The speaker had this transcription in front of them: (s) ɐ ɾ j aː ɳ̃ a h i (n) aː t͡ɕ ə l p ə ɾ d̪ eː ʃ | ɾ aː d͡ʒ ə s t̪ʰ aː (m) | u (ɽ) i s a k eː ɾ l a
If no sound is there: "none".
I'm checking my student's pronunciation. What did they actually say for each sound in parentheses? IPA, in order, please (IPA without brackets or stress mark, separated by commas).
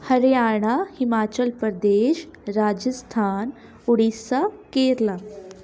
h, m, n, ɽ